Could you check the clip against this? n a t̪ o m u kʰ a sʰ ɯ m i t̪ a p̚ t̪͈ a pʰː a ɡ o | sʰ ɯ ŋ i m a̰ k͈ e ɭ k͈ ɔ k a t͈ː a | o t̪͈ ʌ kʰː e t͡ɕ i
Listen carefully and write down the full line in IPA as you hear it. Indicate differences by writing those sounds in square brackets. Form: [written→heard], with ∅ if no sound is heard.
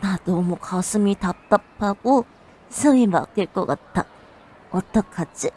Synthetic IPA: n a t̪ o m u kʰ a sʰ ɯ m i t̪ a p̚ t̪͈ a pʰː a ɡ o | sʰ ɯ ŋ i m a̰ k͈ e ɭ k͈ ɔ k a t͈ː a | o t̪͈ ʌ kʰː [e→a] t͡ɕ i